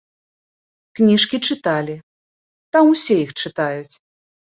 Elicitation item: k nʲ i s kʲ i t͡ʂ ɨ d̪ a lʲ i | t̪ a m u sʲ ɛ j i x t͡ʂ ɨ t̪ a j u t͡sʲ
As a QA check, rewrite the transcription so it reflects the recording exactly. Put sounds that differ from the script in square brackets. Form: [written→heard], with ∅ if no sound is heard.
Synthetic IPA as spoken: k nʲ i [s→ʂ] kʲ i t͡ʂ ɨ [d̪→t̪] a lʲ i | t̪ a m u sʲ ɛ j i x t͡ʂ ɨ t̪ a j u t͡sʲ